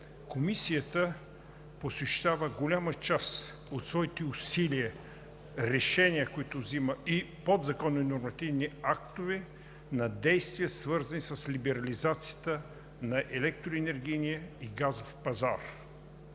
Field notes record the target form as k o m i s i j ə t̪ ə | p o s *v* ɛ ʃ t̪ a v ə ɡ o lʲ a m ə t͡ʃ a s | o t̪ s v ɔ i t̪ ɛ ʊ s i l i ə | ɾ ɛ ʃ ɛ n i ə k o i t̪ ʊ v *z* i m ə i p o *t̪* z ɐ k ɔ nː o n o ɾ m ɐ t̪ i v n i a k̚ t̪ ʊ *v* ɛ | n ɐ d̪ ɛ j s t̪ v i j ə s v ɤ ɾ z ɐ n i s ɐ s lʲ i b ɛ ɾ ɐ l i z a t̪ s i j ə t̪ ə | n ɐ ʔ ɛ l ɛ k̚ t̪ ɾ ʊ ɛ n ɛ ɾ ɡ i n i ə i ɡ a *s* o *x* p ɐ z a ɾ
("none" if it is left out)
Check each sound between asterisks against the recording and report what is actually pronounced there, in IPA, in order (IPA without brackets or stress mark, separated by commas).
v, z, d̪, v, z, f